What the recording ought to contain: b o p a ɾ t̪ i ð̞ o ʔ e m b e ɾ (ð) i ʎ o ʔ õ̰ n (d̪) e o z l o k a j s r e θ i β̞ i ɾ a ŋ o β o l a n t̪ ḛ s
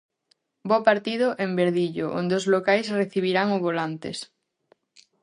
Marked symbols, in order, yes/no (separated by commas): yes, yes